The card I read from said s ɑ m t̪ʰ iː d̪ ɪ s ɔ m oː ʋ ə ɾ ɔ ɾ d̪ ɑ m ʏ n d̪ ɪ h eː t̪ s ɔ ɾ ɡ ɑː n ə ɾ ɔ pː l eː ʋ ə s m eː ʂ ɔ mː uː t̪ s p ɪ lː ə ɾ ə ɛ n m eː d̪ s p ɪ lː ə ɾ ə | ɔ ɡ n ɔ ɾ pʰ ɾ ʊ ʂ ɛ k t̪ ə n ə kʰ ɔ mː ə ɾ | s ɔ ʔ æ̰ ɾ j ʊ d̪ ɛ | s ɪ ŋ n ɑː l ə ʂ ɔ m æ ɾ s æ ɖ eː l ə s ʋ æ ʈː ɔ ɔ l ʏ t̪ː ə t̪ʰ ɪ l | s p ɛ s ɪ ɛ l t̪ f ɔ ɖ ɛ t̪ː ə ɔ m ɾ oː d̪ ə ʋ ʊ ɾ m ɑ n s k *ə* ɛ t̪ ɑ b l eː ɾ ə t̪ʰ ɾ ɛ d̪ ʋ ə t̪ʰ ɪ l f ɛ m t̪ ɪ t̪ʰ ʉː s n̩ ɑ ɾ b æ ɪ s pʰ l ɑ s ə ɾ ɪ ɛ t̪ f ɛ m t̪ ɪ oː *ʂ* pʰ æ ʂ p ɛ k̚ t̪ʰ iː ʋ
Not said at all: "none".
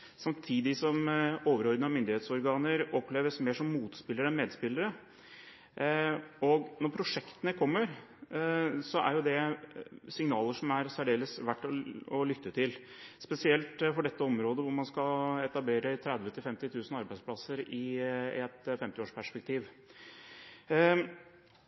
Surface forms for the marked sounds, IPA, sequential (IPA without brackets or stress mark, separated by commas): ɑ, ʂ